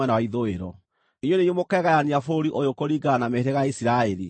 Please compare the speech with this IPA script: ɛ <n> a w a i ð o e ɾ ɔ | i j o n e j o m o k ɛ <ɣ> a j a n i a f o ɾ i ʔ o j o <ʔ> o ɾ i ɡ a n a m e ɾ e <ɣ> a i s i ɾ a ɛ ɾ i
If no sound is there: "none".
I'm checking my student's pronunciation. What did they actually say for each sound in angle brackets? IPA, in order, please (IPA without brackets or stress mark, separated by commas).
n, ɣ, k, ɣ